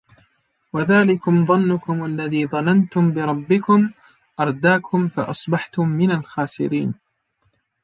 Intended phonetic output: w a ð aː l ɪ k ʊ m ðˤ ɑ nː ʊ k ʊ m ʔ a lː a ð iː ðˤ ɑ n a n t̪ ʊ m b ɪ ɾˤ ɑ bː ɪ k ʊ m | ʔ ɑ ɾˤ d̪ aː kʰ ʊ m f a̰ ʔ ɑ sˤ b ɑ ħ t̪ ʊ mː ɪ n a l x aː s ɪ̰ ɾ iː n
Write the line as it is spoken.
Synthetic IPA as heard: w a ð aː l ɪ k ʊ m ðˤ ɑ nː ʊ k ʊ m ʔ a lː a ð iː ðˤ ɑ n a n t̪ ʊ m b ɪ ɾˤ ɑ bː ɪ k ʊ m | ʔ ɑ ɾˤ d̪ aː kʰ ʊ m f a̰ ʔ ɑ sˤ b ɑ ħ t̪ ʊ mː ɪ n a l x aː s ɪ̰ ɾ iː n